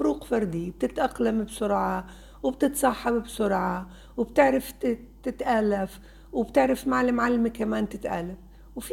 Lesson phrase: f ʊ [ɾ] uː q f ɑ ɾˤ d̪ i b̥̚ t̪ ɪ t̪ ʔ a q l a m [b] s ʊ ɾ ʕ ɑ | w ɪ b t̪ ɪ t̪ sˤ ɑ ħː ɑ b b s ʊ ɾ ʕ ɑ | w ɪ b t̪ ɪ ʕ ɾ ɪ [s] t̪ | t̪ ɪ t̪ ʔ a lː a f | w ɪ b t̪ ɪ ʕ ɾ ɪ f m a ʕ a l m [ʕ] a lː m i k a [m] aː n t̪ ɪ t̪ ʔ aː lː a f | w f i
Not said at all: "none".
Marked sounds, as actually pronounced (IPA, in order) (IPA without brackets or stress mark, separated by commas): ɾ, b, f, ʕ, m